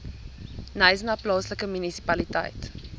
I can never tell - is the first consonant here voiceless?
no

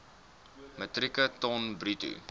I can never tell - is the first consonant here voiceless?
no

